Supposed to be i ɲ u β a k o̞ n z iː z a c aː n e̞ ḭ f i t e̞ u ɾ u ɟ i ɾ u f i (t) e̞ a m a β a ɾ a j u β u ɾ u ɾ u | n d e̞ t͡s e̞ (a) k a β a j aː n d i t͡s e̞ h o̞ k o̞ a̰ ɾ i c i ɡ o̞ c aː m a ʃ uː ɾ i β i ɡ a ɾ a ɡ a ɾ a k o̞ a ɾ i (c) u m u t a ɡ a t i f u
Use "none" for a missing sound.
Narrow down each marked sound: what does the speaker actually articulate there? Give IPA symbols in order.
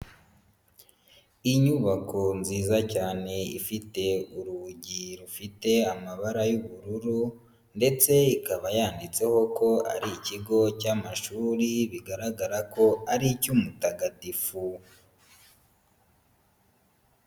t, i, c

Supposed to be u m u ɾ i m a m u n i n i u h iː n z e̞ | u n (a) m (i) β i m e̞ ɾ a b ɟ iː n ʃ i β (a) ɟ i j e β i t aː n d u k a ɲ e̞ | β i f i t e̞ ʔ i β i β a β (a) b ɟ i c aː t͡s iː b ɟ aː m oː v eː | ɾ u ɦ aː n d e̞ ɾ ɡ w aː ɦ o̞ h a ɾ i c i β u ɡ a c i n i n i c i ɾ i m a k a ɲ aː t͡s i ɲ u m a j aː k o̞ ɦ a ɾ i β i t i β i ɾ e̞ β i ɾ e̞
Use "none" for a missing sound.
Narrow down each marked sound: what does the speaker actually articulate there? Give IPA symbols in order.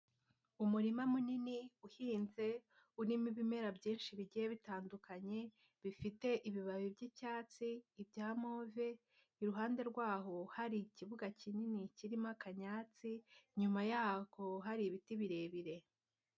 i, i, i, i

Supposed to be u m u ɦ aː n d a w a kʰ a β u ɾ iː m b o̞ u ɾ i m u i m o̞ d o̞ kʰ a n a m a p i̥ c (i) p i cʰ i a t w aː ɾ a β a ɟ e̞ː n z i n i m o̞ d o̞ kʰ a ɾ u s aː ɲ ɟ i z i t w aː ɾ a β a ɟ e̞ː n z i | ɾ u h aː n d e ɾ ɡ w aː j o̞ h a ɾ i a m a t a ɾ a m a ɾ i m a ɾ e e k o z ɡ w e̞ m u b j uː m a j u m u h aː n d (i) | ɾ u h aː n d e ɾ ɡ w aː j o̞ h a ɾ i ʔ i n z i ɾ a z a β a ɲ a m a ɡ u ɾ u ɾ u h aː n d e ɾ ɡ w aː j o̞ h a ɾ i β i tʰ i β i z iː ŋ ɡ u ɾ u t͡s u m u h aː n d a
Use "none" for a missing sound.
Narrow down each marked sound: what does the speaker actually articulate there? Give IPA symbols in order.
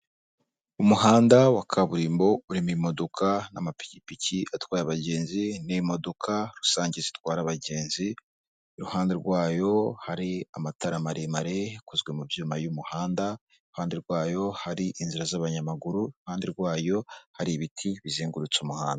i, a

